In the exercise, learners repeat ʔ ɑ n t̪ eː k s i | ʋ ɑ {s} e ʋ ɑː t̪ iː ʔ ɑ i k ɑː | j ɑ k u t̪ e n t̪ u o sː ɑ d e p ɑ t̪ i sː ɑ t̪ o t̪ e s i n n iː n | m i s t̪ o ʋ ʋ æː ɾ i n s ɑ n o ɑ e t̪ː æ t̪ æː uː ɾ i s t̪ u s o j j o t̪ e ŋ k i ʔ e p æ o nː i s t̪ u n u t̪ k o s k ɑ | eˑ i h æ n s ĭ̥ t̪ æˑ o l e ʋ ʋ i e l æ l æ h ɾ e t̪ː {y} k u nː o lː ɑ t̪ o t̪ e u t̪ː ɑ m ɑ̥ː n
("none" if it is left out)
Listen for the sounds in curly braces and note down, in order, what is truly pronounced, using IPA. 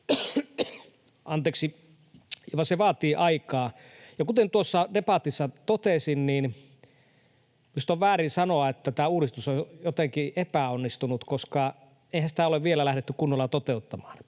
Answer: s, y

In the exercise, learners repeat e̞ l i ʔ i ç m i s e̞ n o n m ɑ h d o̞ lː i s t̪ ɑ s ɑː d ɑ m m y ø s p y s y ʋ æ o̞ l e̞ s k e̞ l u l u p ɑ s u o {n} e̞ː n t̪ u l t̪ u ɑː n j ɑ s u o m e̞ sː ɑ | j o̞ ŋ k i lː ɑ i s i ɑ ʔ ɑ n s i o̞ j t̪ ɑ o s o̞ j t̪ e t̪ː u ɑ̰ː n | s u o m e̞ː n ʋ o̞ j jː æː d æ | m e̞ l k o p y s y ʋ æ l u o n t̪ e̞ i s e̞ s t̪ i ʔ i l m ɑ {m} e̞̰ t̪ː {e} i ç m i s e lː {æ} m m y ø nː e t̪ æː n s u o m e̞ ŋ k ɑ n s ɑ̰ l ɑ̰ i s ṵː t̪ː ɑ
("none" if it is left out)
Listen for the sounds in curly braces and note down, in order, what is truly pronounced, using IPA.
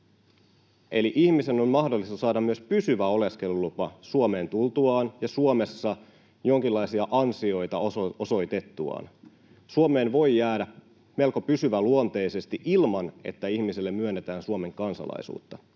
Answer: m, n, æ, e

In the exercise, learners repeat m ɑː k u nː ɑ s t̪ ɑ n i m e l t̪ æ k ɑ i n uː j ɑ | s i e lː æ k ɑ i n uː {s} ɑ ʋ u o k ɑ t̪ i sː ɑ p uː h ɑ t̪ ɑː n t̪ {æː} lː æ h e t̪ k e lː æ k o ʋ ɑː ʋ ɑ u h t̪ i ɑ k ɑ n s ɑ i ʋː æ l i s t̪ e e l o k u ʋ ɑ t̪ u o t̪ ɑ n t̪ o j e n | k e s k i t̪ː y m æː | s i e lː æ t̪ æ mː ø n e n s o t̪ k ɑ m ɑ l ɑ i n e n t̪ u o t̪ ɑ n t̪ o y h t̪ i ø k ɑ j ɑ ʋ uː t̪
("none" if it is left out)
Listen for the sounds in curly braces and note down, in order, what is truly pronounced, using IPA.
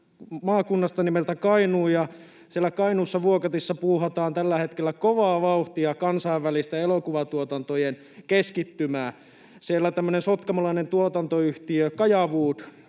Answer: sː, æ

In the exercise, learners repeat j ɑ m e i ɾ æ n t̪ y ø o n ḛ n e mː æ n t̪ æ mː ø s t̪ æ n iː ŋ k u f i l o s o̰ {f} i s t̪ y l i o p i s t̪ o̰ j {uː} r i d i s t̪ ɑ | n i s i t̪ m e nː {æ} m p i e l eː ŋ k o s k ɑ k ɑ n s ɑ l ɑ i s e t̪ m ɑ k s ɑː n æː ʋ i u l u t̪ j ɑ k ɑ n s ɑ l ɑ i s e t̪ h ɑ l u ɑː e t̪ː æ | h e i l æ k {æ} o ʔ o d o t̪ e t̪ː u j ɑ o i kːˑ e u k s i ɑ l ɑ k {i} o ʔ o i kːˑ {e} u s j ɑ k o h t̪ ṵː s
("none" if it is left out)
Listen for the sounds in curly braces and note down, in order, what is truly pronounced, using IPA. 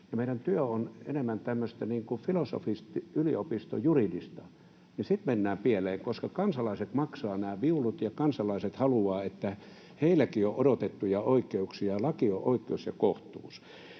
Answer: f, u, æː, i, i, e

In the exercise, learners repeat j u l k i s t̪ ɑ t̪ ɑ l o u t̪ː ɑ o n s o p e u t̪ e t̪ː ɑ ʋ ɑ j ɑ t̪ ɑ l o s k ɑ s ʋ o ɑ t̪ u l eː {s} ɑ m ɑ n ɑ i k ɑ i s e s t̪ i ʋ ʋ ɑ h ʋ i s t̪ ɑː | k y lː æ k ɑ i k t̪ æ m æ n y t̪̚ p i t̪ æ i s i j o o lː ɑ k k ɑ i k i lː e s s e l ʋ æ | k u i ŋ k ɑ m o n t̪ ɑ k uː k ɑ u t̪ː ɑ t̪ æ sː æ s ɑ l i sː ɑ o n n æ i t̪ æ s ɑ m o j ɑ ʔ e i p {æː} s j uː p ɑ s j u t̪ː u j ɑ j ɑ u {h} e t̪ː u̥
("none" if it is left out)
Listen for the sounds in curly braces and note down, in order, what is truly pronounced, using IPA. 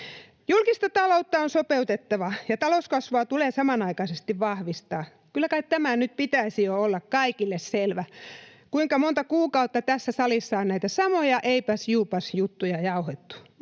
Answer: s, æ, h

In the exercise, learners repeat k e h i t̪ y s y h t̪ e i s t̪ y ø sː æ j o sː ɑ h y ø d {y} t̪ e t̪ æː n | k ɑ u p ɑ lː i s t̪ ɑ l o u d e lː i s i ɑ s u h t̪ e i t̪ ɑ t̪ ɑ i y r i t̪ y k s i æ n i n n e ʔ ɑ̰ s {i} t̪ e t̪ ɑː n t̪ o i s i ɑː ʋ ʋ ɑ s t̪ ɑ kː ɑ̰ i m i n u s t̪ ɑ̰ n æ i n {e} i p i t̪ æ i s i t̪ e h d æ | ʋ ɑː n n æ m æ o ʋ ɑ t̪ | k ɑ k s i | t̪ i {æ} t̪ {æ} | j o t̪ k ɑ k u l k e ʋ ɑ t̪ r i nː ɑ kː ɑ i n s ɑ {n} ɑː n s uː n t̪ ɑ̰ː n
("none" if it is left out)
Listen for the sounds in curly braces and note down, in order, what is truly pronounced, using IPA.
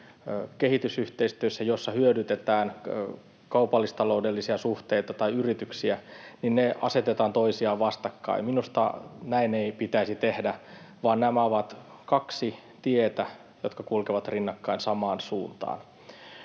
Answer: y, e, e, e, æ, m

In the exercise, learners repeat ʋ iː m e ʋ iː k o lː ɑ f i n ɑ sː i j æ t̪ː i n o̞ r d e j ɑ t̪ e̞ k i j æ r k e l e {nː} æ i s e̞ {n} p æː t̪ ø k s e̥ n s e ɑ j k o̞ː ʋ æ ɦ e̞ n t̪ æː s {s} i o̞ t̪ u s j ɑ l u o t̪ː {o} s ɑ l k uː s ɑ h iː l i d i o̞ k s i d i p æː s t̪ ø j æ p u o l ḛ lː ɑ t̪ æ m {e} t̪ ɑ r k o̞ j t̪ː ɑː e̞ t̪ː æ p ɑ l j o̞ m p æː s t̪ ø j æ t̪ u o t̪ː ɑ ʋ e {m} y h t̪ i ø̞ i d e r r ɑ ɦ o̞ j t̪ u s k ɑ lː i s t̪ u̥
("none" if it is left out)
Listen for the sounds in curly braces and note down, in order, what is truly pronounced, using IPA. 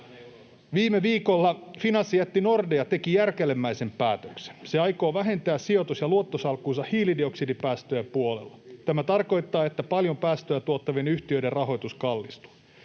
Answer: mː, m, s, o, æ, n

